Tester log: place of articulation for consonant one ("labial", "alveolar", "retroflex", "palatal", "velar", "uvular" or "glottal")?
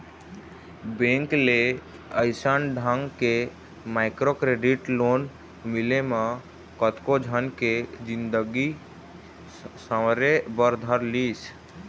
labial